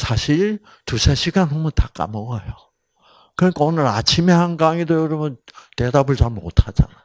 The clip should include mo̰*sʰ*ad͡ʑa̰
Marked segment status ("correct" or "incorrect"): incorrect